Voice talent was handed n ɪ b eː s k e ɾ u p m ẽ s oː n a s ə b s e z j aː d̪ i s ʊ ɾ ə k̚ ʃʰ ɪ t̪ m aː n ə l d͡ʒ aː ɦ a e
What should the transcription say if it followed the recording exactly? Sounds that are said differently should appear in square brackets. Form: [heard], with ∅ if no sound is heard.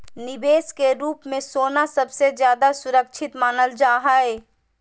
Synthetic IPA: n ɪ b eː s k e ɾ [uː] p m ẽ s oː n a s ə b s e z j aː d̪ [a] s ʊ ɾ ə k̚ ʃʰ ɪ t̪ m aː n ə l d͡ʒ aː ɦ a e

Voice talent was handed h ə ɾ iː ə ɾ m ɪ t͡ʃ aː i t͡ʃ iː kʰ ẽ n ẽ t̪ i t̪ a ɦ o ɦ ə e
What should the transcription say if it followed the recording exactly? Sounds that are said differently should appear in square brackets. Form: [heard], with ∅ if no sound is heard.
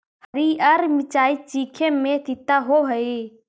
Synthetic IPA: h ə ɾ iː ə ɾ m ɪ t͡ʃ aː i t͡ʃ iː kʰ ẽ [m] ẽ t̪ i t̪ a ɦ o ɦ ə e

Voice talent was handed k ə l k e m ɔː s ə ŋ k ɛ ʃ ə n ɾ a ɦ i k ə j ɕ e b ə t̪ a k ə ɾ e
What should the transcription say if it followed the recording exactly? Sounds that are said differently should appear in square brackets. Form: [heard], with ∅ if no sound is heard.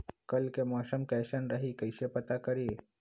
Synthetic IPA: k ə l k e m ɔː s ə [m] k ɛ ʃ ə n ɾ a ɦ i k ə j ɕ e [p] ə t̪ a k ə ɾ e

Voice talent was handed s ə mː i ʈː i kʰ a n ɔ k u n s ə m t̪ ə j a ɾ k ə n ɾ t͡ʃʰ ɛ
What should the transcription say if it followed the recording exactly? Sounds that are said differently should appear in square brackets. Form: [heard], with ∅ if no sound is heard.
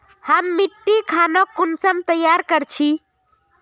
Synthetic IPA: [h] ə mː i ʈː i kʰ a n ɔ k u n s ə m t̪ ə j a ɾ k ə [∅] ɾ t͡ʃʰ [i]

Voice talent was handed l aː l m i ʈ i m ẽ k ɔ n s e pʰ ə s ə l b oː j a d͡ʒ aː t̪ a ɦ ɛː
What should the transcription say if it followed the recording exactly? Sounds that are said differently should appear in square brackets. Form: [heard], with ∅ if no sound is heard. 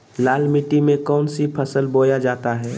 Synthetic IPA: l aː l m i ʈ i m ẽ k [ɔː] n s [i] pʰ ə s ə l b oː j a d͡ʒ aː t̪ a ɦ ɛː

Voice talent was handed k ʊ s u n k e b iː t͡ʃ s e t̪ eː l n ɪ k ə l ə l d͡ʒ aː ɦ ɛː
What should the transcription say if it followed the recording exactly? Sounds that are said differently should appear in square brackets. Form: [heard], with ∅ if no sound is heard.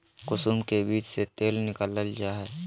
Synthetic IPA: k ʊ s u [m] k e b iː t͡ʃ s e t̪ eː l n ɪ k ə l ə l d͡ʒ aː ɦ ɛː

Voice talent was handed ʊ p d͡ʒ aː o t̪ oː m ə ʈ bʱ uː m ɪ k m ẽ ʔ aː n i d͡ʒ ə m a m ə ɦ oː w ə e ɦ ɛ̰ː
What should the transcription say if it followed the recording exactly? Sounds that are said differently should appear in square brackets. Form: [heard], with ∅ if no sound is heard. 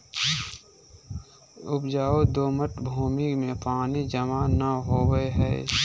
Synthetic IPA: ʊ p d͡ʒ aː o [d̪] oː m ə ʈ bʱ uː m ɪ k m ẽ [p] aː n i d͡ʒ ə m a [n] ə ɦ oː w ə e ɦ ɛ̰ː

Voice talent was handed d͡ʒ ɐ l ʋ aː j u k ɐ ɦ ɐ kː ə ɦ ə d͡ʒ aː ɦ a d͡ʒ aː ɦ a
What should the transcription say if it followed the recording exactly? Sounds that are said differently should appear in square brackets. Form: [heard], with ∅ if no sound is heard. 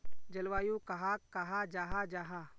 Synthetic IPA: d͡ʒ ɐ l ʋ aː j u k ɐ ɦ [a] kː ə ɦ [a] d͡ʒ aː ɦ a d͡ʒ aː ɦ a

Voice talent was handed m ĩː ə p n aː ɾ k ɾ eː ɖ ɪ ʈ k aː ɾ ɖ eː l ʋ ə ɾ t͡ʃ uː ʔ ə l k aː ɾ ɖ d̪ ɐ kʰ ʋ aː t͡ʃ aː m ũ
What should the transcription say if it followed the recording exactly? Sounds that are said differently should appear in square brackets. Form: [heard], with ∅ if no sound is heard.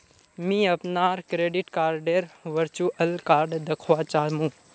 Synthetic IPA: m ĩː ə p n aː ɾ k ɾ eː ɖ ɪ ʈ k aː ɾ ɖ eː [ɾ] ʋ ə ɾ t͡ʃ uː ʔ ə l k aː ɾ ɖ d̪ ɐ kʰ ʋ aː t͡ʃ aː m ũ

